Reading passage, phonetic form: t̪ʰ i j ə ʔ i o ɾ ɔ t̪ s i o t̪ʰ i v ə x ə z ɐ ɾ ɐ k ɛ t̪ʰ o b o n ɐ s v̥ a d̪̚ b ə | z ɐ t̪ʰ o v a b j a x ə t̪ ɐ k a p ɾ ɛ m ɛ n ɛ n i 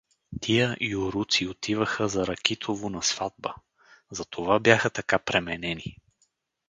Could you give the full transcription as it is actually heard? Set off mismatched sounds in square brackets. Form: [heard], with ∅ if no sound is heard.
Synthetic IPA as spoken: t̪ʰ i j ə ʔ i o ɾ [u] t̪ s i o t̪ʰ i v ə x ə z ɐ ɾ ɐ k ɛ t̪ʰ o [v] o n ɐ s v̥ a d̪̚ b ə | z ɐ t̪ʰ o v a b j a x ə t̪ ɐ k a p ɾ ɛ m ɛ n ɛ n i

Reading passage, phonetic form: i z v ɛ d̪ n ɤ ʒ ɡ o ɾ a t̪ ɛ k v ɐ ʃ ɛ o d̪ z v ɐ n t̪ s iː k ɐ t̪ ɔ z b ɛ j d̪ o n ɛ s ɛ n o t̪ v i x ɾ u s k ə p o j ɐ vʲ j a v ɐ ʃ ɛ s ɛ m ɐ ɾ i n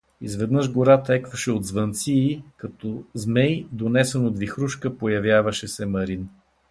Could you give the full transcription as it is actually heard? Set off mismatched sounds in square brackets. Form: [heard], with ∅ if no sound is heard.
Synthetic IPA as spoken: i z v ɛ d̪ n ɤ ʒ ɡ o ɾ a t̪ ɛ k v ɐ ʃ ɛ o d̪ z v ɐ n t̪ s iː k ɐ t̪ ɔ z [m] ɛ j d̪ o n ɛ s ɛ n o [d̪] v i x ɾ u [ʃ] k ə p o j ɐ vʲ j a v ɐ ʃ ɛ s ɛ m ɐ ɾ i n

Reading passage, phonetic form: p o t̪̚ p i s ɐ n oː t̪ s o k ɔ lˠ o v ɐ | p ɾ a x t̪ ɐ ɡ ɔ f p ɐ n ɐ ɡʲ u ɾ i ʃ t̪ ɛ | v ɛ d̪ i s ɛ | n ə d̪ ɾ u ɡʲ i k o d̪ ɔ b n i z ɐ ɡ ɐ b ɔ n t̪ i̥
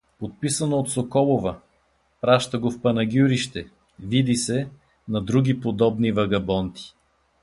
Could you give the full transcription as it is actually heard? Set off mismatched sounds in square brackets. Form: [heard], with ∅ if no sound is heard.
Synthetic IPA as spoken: p o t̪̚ p i s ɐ n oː t̪ s o k ɔ lˠ o v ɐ | p ɾ a [ʃ] t̪ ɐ ɡ [o] f p ɐ n ɐ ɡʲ u ɾ i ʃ t̪ ɛ | v [i] d̪ i s ɛ | n [ɐ] d̪ ɾ u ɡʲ i [p] o d̪ ɔ b n i [v] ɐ ɡ ɐ b ɔ n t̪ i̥

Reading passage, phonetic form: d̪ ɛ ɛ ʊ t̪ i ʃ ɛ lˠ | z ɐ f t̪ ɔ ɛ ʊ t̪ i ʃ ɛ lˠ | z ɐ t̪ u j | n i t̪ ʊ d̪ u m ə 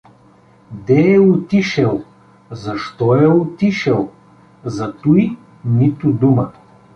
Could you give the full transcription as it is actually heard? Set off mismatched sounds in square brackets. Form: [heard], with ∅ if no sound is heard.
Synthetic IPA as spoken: d̪ ɛ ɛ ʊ t̪ i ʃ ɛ lˠ | z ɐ [ʃ] t̪ ɔ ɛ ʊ t̪ i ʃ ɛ lˠ | z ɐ t̪ u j | n i t̪ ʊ d̪ u m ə

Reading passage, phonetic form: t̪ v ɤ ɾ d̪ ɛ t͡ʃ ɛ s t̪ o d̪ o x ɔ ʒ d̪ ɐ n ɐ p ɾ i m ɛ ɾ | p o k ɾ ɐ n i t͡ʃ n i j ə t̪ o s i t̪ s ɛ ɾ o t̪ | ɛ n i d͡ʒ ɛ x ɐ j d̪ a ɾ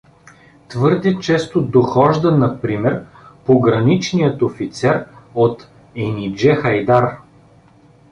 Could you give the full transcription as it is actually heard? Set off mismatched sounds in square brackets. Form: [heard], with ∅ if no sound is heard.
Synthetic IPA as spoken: t̪ v ɤ ɾ d̪ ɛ t͡ʃ ɛ s t̪ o d̪ o x ɔ ʒ d̪ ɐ n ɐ p ɾ i m ɛ ɾ | p o [ɡ] ɾ ɐ n i t͡ʃ n i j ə t̪ o [f] i t̪ s ɛ ɾ o t̪ | ɛ n i d͡ʒ ɛ x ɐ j d̪ a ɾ

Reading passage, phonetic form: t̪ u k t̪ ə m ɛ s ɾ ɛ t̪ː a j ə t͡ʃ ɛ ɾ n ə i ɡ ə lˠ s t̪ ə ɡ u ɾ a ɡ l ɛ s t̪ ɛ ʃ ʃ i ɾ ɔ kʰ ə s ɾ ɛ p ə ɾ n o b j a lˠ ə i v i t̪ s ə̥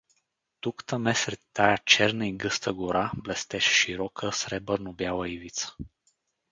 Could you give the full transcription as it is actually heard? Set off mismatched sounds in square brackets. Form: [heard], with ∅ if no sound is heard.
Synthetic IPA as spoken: t̪ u k t̪ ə m ɛ s ɾ ɛ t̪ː a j [a] t͡ʃ ɛ ɾ n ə i ɡ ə [∅] s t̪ ə ɡ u ɾ a [b] l ɛ s t̪ ɛ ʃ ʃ i ɾ ɔ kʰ ə s ɾ ɛ [b] ə ɾ n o b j a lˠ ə i v i t̪ s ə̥

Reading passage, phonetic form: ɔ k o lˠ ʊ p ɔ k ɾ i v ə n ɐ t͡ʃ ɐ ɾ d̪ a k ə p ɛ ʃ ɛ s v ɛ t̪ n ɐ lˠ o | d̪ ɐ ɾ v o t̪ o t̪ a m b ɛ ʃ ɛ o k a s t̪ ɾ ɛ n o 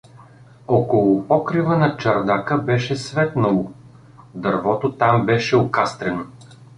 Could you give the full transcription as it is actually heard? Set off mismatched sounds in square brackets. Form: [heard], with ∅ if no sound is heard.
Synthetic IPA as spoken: ɔ k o lˠ ʊ p ɔ k ɾ i v ə n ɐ t͡ʃ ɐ ɾ d̪ a k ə [b] ɛ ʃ ɛ s v ɛ t̪ n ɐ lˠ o | d̪ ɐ ɾ v [ɔ] t̪ o t̪ a m b ɛ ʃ ɛ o k a s t̪ ɾ ɛ n o

